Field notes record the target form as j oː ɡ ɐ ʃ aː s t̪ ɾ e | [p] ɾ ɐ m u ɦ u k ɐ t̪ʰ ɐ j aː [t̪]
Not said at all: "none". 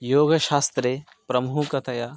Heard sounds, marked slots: p, none

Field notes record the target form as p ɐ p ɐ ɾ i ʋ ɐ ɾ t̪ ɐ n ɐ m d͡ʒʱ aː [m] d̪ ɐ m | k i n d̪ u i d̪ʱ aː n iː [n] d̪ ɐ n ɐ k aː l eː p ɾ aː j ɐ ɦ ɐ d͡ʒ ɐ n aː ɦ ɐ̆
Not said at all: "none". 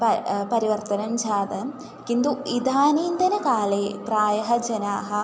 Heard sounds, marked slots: none, n

